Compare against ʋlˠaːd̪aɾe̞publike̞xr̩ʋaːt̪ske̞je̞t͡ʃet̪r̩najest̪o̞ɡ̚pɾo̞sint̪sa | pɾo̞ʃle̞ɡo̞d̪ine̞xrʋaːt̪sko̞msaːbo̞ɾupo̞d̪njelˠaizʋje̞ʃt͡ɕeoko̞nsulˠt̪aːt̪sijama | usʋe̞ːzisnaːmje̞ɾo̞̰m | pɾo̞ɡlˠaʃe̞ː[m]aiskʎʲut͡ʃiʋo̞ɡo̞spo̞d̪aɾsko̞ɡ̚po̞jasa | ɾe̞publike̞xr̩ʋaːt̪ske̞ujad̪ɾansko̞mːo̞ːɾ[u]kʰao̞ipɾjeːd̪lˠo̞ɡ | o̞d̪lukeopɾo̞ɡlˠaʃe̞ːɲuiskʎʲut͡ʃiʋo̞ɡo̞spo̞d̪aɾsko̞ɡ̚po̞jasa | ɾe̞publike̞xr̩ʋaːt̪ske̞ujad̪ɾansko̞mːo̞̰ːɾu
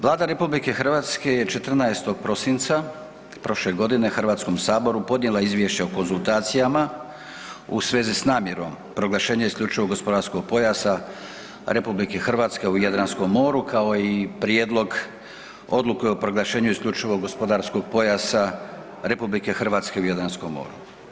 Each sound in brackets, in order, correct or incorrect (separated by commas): incorrect, correct